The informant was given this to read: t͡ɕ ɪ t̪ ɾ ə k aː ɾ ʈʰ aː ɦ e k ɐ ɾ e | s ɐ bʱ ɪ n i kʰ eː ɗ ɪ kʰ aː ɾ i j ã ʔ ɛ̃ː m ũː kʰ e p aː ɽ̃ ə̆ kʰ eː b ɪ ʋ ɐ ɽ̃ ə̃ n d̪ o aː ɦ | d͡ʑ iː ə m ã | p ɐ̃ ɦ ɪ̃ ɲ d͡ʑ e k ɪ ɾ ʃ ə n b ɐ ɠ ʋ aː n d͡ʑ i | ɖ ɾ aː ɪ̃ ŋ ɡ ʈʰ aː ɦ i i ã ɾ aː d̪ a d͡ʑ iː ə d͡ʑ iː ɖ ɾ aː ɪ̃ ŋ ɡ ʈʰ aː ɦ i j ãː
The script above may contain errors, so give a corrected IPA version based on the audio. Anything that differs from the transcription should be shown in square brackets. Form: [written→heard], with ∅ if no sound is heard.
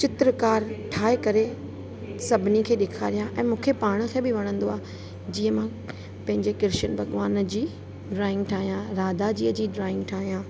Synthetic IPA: t͡ɕ ɪ t̪ ɾ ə k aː ɾ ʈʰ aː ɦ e k ɐ ɾ e | s ɐ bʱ ɪ n i kʰ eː ɗ ɪ kʰ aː ɾ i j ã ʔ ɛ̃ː m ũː kʰ e p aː ɽ̃ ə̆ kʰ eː b ɪ ʋ ɐ ɽ̃ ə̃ n d̪ o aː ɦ | d͡ʑ iː ə m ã | p ɐ̃ ɦ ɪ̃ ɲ d͡ʑ e k ɪ ɾ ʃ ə n b ɐ ɠ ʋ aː n d͡ʑ [i→iː] | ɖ ɾ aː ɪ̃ ŋ ɡ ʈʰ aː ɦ i [i→j] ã ɾ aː d̪ a d͡ʑ iː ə d͡ʑ iː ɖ ɾ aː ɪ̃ ŋ ɡ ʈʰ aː ɦ i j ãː